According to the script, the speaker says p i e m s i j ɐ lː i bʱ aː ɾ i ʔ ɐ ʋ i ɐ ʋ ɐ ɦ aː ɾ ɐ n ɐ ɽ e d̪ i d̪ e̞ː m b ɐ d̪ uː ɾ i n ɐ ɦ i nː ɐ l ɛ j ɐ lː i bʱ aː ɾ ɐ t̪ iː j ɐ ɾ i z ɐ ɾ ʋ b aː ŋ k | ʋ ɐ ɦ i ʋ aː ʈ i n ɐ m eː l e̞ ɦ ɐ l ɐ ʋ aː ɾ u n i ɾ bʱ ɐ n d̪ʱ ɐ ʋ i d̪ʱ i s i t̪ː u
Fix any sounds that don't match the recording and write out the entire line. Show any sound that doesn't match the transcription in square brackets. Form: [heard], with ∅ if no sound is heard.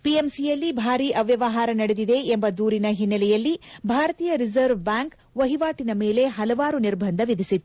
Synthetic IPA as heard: p i e m s i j ɐ lː i bʱ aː ɾ i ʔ ɐ ʋ [j] ɐ ʋ ɐ ɦ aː ɾ ɐ n ɐ ɽ e d̪ i d̪ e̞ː m b ɐ d̪ uː ɾ i n ɐ ɦ i nː ɐ l ɛ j ɐ lː i bʱ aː ɾ ɐ t̪ iː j ɐ ɾ i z ɐ ɾ ʋ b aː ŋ k | ʋ ɐ ɦ i ʋ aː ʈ i n ɐ m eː l e̞ ɦ ɐ l ɐ ʋ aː ɾ u n i ɾ bʱ ɐ n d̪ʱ ɐ ʋ i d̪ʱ i s i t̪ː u